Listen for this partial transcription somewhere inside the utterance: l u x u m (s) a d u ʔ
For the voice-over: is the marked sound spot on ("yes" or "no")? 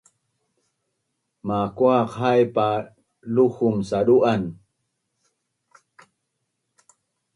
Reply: yes